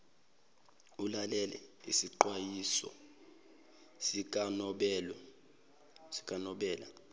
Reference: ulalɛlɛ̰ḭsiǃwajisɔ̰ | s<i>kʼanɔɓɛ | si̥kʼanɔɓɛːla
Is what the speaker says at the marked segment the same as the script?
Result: yes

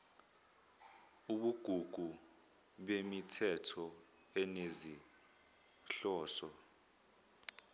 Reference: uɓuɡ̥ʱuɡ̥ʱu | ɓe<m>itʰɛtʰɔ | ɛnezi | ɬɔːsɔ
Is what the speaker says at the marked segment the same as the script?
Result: yes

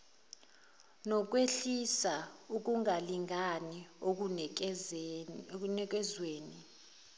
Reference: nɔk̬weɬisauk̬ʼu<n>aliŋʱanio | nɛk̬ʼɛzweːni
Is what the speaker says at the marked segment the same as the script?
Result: no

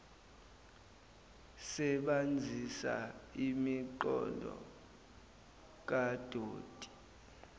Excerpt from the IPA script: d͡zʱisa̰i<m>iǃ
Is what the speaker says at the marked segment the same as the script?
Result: yes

